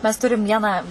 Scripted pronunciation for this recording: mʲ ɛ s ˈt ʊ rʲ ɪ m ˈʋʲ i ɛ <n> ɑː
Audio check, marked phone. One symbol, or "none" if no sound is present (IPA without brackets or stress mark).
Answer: n